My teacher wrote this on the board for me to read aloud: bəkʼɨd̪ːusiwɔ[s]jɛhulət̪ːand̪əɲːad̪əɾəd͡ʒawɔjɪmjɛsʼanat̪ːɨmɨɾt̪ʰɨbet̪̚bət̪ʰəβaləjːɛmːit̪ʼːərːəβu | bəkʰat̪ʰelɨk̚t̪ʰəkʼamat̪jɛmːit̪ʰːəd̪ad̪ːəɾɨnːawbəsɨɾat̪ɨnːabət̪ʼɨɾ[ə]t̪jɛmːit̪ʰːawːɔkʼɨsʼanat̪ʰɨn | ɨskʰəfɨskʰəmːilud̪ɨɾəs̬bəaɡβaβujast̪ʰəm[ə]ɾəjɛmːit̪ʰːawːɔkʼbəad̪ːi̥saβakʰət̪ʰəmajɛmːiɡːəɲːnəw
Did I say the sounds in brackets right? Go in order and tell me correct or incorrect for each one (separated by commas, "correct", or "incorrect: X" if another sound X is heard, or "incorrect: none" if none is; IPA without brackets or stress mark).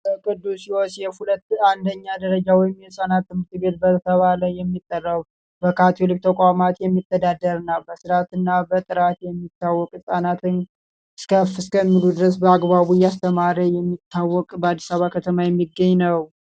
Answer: correct, incorrect: a, incorrect: a